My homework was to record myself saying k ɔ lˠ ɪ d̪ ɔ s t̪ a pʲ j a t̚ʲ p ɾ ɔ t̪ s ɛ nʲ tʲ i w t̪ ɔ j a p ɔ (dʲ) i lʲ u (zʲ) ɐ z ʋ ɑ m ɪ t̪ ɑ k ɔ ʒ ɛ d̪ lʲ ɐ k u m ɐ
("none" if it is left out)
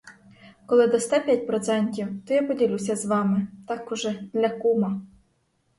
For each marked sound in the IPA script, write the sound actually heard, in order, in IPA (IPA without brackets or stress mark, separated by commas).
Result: dʲ, sʲ